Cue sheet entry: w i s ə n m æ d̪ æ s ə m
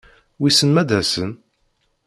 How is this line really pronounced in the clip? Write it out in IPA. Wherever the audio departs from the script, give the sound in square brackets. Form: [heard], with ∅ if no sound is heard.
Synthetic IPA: w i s ə n m æ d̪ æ s ə [n]